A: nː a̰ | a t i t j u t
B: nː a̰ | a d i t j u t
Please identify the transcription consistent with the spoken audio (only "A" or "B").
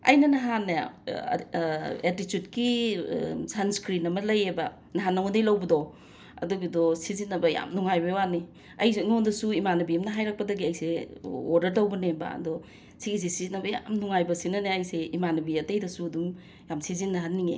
A